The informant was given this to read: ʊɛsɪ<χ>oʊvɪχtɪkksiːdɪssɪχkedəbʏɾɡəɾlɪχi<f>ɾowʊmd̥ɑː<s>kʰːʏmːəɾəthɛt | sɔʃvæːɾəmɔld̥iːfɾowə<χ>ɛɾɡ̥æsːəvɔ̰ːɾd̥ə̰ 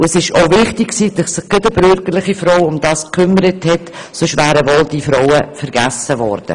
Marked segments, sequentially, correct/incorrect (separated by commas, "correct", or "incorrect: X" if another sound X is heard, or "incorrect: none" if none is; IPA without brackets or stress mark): incorrect: ʃ, correct, correct, incorrect: f